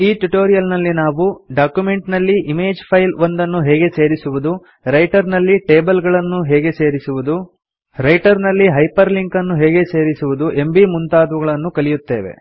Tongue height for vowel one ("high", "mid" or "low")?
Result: high